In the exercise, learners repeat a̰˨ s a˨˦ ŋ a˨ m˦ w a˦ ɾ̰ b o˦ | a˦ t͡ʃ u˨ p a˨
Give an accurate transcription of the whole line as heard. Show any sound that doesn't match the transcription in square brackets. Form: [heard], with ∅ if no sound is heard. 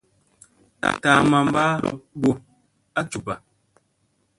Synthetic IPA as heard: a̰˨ [t] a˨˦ [m] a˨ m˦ [b] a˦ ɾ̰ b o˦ | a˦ t͡ʃ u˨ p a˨

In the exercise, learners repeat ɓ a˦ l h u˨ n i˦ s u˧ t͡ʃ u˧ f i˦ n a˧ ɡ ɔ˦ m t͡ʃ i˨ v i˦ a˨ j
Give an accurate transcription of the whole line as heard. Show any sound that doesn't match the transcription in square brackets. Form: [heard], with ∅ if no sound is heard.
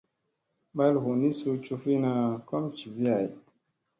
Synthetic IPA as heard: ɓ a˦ l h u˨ n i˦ s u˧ t͡ʃ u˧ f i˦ n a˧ [k] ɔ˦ m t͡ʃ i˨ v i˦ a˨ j

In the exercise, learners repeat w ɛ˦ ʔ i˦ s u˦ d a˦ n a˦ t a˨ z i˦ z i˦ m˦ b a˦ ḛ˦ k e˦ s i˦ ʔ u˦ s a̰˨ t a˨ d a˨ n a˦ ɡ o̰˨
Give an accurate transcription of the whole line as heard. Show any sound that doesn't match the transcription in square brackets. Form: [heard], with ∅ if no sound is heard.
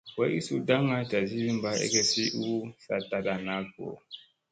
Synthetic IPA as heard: w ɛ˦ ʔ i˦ s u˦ d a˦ [ŋ] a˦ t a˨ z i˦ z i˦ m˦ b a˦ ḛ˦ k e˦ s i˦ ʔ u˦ s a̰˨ t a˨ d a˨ n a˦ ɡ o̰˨

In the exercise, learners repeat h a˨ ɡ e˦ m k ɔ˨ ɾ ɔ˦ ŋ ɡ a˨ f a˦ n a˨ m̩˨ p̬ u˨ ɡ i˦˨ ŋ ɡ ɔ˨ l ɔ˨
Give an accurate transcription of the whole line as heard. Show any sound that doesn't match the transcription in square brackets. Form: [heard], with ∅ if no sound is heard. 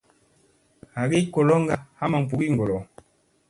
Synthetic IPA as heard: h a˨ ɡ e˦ [∅] k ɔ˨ [l] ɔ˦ ŋ ɡ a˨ [h] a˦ [m] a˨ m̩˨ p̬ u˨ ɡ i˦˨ ŋ ɡ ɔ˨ l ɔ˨

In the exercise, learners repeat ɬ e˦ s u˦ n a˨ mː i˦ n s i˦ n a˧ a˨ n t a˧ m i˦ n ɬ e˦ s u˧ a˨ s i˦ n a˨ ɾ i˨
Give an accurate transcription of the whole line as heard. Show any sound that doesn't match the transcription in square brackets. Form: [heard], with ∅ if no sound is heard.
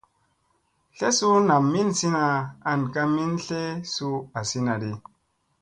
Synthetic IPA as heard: ɬ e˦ s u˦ n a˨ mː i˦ n s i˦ n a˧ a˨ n [k] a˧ m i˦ n ɬ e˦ s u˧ a˨ s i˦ n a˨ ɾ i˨

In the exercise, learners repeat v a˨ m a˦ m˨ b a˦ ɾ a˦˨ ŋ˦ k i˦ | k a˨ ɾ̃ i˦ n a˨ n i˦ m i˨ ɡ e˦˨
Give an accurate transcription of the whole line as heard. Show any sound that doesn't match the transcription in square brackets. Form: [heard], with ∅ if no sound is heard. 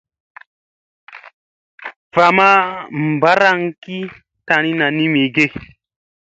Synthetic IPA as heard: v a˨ m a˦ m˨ b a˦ ɾ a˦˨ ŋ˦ k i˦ | [t] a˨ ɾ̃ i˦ n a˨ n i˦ m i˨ ɡ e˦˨

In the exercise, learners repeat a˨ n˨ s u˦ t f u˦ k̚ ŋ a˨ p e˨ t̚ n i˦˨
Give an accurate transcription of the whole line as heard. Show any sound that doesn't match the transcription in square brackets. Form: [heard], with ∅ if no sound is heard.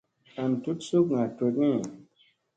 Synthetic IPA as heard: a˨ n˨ [t] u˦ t [s] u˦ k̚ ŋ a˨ [t] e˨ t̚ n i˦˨

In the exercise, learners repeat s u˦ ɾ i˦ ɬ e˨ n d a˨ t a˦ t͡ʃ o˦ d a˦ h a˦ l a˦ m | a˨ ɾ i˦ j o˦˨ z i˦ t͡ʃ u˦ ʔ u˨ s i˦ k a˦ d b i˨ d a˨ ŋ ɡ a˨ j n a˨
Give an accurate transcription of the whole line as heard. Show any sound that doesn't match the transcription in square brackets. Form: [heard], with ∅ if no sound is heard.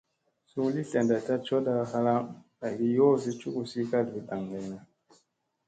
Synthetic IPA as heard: s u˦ [l] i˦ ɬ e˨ n d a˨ t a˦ t͡ʃ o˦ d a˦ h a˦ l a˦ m | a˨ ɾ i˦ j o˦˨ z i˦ t͡ʃ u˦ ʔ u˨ s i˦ k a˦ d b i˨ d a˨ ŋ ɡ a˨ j n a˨

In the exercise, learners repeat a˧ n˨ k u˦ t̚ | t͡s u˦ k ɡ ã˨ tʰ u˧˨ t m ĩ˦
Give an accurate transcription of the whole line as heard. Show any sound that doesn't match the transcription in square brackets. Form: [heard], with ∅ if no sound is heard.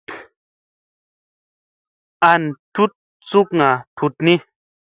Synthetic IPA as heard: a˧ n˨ [t] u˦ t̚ | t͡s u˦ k [ŋ] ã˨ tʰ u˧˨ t [n] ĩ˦

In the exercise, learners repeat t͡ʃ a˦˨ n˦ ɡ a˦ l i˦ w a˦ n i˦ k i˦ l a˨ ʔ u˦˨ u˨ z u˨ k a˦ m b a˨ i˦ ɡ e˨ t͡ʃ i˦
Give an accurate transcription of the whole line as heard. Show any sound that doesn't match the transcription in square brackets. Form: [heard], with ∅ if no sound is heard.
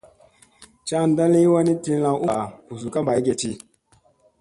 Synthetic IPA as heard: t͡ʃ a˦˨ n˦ [d] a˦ l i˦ w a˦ n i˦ [t] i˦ l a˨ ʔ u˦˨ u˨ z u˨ k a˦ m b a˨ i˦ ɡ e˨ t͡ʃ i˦

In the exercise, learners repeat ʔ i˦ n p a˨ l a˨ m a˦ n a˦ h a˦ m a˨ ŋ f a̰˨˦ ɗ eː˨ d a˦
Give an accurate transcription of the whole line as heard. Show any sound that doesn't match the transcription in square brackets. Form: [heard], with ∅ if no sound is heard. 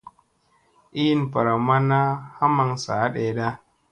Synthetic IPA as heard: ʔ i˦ n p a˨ [ɾ] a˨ m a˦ n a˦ h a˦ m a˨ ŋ [s] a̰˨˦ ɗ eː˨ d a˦

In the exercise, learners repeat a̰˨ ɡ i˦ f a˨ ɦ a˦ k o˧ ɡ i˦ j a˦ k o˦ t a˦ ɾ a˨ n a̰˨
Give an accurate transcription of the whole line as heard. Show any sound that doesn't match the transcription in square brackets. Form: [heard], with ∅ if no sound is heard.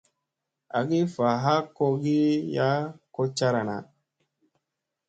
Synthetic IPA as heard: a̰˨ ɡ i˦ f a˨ ɦ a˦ k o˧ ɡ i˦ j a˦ k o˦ [t͡ʃ] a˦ ɾ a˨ n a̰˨

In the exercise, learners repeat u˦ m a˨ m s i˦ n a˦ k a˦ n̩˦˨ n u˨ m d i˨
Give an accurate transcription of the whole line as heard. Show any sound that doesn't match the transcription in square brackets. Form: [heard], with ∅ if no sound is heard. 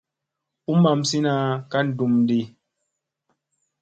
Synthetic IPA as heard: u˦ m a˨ m s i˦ n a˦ k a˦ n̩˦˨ [d] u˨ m d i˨

